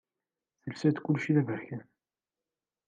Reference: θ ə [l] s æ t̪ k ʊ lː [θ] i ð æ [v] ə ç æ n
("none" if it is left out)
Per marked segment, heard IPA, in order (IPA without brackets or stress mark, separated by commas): l, ʃ, v